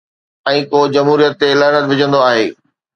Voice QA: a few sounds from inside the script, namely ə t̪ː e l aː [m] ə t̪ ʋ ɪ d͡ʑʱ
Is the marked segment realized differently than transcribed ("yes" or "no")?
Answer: yes